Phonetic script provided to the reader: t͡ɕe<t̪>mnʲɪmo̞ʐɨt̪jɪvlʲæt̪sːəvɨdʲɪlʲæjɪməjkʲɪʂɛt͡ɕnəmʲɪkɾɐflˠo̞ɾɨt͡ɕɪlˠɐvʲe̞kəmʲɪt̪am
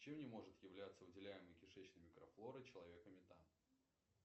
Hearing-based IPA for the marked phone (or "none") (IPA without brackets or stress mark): none